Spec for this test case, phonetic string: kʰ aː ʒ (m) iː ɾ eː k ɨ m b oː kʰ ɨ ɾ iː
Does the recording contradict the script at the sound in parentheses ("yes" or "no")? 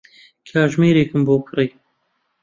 no